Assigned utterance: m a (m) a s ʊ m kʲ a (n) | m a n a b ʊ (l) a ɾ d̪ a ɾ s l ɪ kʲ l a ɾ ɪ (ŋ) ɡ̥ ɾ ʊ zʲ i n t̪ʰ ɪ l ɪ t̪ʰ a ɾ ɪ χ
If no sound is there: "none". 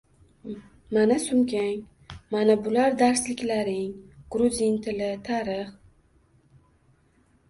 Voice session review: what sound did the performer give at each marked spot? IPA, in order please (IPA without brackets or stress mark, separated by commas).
n, ŋ, l, ŋ